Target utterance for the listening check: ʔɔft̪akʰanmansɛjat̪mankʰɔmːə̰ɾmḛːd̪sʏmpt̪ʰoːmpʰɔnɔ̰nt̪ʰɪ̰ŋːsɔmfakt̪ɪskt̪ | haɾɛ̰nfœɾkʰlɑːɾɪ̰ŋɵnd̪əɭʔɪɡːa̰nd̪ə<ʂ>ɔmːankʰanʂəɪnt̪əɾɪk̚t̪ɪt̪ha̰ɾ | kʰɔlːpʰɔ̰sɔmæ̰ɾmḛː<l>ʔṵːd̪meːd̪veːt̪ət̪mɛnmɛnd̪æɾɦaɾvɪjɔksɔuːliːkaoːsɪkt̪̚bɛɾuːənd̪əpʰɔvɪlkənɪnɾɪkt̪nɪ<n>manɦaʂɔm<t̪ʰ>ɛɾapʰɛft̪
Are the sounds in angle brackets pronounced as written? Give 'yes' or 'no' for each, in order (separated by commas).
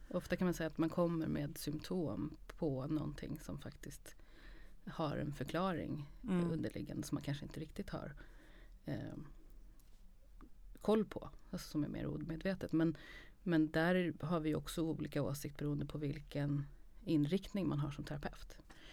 no, no, no, yes